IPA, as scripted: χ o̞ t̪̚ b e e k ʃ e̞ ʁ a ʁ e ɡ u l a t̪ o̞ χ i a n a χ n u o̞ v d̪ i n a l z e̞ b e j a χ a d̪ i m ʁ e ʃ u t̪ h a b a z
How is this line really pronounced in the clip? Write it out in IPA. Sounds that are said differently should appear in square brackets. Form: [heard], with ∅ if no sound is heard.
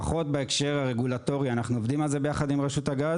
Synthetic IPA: χ o̞ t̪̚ b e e k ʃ e̞ ʁ a ʁ e ɡ u l a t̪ o̞ [ʁ] i a n a χ n u o̞ v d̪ i [m] a l z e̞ b e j a χ a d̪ i m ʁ e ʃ u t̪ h a [ɡ] a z